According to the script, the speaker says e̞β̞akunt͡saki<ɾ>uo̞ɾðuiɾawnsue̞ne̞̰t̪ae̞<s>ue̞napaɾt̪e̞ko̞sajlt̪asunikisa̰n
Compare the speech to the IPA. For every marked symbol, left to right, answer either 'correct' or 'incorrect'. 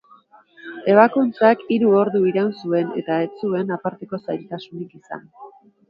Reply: correct, incorrect: t͡s

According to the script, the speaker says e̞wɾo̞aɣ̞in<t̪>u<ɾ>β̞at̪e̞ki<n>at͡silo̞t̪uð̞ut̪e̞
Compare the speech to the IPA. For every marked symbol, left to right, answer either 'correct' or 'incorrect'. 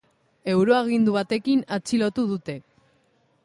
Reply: incorrect: d̪, incorrect: none, correct

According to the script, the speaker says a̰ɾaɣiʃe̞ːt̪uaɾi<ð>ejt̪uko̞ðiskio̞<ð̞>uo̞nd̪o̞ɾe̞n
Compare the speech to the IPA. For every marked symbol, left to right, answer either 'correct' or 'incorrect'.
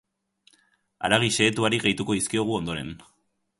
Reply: incorrect: ɣ, incorrect: ɣ̞

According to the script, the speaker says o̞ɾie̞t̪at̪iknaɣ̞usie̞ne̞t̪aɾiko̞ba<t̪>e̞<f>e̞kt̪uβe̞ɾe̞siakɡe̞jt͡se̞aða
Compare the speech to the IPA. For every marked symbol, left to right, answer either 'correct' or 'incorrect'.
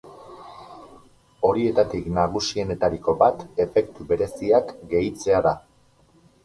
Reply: correct, correct

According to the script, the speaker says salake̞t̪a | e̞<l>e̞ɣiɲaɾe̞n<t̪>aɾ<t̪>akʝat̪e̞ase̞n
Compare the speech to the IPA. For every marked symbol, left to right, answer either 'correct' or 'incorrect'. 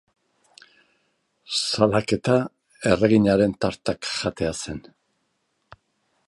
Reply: incorrect: r, correct, correct

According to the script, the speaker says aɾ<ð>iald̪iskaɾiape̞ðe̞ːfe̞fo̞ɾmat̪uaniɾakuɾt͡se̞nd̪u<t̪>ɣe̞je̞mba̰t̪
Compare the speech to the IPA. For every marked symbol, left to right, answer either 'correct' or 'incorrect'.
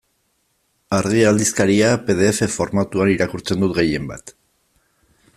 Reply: incorrect: ɣ, correct

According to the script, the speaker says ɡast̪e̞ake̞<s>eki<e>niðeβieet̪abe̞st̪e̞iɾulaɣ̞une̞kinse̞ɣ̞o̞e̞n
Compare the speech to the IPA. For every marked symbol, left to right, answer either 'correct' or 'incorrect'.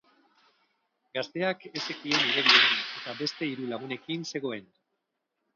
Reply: correct, correct

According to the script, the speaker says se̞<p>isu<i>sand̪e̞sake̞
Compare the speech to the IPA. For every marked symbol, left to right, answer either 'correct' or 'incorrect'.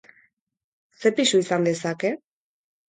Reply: correct, correct

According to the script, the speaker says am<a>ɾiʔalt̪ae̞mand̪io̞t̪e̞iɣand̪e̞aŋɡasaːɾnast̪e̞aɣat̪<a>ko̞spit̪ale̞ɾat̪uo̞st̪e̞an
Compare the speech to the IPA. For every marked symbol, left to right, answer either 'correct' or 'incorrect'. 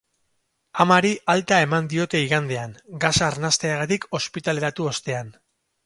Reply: correct, incorrect: i

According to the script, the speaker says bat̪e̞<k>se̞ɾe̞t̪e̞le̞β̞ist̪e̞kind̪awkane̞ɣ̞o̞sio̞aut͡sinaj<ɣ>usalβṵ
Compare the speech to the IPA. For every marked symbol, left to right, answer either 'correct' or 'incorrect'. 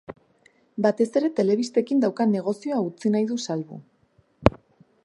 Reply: incorrect: none, incorrect: ð

